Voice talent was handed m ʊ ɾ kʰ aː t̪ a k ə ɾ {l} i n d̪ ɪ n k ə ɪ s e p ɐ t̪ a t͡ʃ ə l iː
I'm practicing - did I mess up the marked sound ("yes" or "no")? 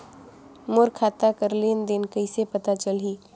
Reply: no